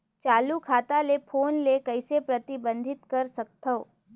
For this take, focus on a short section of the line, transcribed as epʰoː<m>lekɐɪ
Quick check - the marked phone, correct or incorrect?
incorrect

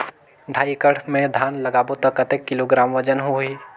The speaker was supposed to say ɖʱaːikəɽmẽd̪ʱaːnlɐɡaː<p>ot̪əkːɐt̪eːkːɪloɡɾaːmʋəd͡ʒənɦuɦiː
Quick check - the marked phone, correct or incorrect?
incorrect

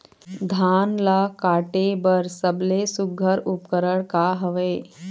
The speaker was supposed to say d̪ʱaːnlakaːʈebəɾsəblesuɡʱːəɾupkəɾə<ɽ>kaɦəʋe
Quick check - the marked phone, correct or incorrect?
correct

